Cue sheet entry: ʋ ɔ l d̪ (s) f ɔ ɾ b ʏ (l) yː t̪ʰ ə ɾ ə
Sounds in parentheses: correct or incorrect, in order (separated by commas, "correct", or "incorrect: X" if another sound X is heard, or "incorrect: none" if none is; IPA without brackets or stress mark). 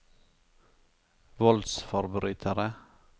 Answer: correct, incorrect: ɾ